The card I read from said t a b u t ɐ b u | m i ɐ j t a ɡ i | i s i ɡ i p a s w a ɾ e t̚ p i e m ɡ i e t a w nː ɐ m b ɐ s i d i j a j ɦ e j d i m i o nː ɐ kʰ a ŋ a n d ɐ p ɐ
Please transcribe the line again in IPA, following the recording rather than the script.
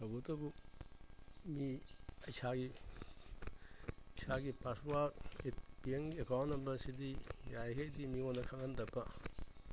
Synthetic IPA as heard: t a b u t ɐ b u | m i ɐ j s a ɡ i | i s a ɡ i p a s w a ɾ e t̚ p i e ŋ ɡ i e k a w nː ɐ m b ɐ s i d i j a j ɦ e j d i m i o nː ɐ kʰ a ŋ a n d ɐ p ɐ